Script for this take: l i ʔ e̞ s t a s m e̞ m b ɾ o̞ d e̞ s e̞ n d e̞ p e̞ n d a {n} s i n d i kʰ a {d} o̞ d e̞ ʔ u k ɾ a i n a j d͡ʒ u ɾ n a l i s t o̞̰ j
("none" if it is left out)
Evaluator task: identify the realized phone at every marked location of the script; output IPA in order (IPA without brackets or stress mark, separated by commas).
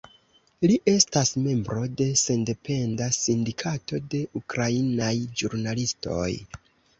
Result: none, t